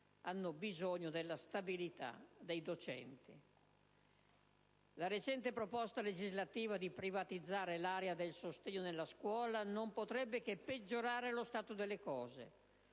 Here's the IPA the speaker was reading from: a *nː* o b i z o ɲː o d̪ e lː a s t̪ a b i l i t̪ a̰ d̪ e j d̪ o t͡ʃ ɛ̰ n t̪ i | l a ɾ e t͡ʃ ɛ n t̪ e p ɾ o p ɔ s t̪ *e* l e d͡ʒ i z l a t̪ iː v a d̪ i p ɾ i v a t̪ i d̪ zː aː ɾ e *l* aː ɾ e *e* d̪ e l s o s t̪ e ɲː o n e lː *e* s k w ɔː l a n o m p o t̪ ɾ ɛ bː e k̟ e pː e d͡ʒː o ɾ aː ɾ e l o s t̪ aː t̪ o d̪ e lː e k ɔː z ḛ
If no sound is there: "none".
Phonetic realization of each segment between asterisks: nː, a, l, a, a

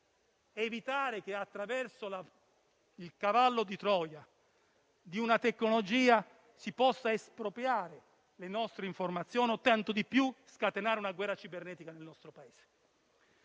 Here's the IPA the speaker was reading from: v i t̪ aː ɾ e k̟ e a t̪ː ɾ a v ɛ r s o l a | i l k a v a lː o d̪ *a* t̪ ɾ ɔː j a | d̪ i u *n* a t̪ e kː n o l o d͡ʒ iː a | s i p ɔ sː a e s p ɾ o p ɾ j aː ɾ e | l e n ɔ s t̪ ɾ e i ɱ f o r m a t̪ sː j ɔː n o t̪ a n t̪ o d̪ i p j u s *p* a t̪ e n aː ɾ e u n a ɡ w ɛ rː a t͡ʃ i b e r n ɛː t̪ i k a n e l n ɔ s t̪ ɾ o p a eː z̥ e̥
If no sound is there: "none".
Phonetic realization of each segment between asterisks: i, n, k

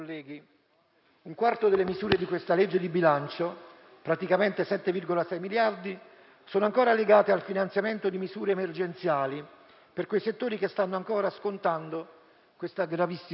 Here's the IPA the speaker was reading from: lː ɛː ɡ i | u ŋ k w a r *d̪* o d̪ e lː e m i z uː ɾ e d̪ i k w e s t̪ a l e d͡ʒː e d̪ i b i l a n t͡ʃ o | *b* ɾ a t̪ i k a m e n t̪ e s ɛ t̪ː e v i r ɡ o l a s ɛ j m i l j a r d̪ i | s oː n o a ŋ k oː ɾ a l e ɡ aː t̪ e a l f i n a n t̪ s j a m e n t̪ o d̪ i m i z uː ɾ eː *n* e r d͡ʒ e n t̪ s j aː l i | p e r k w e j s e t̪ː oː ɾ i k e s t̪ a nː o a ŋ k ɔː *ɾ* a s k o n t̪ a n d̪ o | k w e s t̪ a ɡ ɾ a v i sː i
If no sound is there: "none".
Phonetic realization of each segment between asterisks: t̪, p, m, ɾ

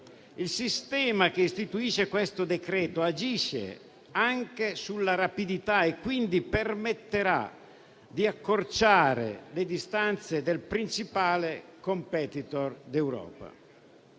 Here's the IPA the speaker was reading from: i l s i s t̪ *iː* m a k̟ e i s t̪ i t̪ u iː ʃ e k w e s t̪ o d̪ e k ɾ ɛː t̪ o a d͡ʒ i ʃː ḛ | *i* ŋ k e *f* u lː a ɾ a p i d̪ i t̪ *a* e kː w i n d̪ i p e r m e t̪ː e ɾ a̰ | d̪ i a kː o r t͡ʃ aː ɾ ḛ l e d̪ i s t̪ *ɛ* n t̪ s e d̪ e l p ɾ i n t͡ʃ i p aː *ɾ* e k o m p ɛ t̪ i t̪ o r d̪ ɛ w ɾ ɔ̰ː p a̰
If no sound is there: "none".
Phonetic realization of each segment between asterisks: ɛː, a, s, a, a, l

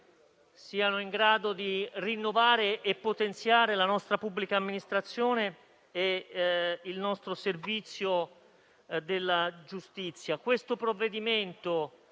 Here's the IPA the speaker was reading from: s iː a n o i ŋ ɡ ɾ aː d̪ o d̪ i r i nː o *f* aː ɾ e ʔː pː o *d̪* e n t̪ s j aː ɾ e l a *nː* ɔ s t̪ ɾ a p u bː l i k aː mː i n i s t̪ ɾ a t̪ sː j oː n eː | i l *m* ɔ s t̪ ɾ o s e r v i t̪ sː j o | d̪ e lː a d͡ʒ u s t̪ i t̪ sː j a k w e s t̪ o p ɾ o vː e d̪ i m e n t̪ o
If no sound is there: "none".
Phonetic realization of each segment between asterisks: v, t̪, n, n

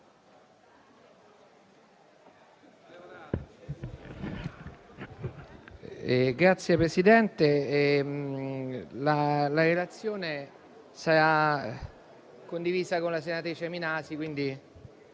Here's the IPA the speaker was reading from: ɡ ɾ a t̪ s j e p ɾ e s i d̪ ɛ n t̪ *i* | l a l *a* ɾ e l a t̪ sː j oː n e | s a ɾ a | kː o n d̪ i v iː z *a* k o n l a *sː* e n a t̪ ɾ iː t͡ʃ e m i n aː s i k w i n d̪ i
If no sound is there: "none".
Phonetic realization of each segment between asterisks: e, a, a, s

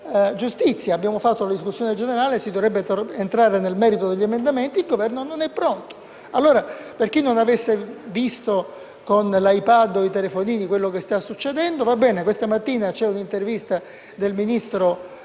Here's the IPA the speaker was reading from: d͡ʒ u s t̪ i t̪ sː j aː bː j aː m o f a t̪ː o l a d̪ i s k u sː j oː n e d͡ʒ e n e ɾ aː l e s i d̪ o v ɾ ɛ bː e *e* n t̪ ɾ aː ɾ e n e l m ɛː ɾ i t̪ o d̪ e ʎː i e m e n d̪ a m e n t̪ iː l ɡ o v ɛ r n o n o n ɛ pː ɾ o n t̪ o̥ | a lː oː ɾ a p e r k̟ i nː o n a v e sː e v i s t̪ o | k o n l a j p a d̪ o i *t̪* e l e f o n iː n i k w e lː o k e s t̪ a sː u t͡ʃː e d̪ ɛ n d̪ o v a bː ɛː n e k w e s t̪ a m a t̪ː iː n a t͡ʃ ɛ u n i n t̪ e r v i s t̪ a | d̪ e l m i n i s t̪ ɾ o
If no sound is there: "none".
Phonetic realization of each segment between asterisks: e, t̪

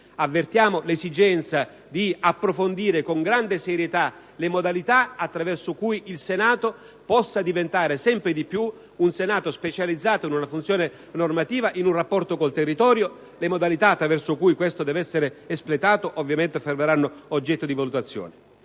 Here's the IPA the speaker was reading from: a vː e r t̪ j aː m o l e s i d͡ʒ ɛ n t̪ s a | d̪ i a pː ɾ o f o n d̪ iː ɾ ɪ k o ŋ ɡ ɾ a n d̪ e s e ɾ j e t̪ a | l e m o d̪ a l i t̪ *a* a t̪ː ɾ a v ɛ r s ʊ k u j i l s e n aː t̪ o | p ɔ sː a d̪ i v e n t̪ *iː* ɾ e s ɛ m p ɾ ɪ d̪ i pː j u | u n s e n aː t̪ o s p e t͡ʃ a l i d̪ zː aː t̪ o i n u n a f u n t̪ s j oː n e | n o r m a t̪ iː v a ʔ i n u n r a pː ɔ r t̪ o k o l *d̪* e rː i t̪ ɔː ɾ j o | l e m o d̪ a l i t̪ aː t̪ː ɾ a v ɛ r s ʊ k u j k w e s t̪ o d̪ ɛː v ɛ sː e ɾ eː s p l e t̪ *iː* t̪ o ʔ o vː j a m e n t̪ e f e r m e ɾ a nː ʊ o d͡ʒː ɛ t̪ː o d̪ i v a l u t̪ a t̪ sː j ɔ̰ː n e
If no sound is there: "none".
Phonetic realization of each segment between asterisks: a, aː, t̪, aː

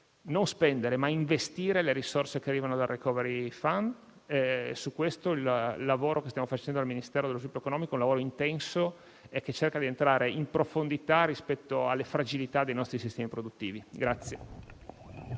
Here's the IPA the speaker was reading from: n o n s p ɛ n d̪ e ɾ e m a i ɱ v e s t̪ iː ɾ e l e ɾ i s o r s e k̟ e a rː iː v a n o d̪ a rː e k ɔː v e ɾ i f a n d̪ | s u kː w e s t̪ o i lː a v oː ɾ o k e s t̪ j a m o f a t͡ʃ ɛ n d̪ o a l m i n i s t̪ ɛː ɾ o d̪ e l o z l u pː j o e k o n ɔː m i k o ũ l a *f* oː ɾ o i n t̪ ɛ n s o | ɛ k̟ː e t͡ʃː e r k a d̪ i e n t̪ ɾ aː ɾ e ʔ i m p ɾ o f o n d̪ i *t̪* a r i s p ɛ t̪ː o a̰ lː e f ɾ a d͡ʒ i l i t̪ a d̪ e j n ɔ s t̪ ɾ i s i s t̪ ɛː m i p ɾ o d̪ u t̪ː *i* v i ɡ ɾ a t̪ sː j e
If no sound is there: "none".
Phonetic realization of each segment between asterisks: v, t̪, iː

